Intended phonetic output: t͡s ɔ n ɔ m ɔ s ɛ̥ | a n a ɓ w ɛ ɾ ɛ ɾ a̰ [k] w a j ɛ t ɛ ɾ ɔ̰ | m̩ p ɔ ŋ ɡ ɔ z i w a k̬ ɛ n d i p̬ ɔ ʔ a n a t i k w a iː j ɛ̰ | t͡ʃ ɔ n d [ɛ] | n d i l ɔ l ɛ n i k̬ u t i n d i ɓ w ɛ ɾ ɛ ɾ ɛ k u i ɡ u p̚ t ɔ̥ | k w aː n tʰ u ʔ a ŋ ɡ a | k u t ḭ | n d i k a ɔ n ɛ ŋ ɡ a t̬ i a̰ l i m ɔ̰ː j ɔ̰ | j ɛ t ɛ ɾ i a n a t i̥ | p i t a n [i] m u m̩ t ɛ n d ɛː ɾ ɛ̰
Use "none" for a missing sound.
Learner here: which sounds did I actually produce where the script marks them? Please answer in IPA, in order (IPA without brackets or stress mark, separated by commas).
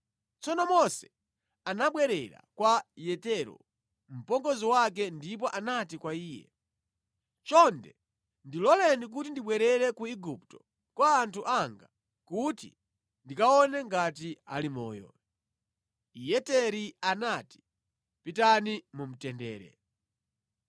k, ɛ, i